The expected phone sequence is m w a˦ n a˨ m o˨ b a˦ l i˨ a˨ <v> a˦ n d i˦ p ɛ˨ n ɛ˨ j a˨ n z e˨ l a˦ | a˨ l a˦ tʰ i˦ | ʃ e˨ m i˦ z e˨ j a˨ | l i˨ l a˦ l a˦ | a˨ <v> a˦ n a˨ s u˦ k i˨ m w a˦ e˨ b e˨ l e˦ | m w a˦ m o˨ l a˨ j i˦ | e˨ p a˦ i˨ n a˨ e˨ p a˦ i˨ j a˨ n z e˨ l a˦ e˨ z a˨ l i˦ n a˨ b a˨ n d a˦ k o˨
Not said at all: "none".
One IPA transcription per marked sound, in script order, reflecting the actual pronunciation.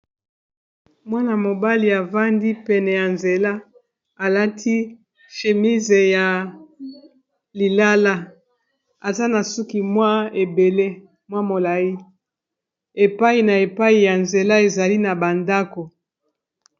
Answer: v, z

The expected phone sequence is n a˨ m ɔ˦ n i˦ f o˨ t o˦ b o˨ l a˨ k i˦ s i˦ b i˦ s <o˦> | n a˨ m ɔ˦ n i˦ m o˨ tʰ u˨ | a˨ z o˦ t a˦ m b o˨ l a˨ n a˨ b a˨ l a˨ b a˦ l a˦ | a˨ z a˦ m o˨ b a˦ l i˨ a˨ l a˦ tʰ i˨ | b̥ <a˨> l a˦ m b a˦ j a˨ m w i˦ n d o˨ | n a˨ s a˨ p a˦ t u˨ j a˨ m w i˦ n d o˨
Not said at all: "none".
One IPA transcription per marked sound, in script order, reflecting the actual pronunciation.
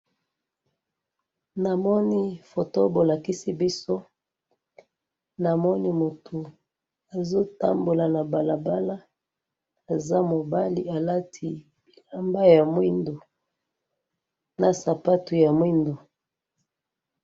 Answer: o˦, i˨

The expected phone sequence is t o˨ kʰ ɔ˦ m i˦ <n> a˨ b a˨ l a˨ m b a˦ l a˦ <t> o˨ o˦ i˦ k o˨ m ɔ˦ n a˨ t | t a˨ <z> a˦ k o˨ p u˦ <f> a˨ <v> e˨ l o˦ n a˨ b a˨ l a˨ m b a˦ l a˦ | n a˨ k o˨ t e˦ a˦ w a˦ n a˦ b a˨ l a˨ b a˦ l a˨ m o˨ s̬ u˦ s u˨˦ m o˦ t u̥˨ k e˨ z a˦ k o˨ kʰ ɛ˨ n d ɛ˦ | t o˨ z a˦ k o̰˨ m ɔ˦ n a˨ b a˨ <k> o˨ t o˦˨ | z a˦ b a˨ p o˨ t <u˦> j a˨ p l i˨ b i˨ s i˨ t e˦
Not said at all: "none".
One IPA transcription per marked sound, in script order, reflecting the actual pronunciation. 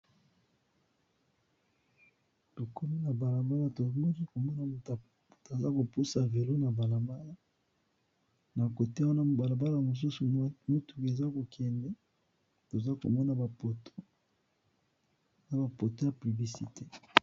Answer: n, t, z, s, v, p, o˦

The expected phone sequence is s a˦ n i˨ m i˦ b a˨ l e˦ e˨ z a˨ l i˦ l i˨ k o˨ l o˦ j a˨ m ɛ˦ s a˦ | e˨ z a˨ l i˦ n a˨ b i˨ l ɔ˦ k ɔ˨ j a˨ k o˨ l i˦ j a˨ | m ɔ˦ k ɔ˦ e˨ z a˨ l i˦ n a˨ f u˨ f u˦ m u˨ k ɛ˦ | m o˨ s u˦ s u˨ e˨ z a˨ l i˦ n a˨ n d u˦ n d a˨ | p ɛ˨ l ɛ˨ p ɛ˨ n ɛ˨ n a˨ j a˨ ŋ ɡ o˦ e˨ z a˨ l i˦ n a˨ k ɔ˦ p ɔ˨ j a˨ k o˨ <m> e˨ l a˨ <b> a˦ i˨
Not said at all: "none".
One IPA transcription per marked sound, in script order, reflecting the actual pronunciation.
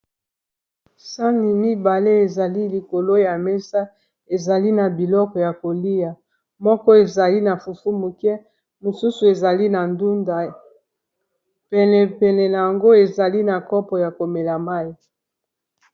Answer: m, m

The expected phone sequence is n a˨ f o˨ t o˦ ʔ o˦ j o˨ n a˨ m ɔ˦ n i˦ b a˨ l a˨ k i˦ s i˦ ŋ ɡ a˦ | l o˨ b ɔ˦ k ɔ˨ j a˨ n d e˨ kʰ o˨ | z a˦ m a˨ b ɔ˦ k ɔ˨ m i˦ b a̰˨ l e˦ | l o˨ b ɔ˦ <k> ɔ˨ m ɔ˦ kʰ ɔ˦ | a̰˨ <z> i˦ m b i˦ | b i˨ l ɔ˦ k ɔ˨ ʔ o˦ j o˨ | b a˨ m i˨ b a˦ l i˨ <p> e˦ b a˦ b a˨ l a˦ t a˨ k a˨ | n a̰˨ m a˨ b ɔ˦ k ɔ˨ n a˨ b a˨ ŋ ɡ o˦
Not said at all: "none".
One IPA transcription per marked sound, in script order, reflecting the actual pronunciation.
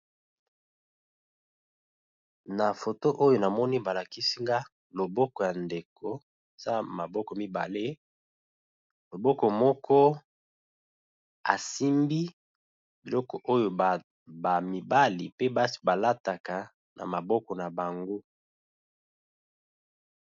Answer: k, s, p

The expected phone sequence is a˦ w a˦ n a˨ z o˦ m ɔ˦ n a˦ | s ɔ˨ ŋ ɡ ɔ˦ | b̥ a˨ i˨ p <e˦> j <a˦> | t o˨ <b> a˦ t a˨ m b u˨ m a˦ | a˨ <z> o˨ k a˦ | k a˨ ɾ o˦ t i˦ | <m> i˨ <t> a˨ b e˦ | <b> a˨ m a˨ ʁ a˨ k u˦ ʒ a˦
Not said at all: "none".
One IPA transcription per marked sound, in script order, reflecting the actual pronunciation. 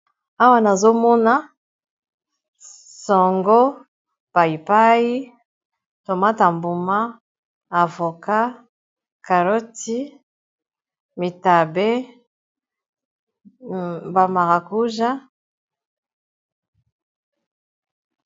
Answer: a˦, i˦, m, v, m, t, b

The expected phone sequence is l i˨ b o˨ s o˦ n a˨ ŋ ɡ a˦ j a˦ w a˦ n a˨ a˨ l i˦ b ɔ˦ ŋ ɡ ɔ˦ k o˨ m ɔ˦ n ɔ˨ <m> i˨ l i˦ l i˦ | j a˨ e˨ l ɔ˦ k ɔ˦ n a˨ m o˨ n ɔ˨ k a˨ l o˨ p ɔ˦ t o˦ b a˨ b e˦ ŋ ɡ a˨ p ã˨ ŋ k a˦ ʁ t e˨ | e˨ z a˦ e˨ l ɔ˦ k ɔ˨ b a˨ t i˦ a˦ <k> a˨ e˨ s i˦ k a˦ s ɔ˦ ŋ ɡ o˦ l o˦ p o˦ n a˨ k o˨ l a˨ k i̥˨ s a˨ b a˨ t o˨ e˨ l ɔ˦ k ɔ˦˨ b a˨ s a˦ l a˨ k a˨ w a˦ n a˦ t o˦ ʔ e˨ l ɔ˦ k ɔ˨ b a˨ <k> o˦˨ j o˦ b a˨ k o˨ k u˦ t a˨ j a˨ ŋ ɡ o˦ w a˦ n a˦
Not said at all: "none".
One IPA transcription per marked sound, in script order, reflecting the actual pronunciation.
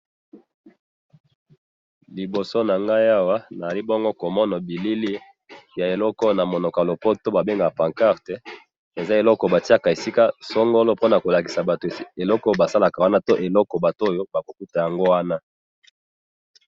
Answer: b, k, t

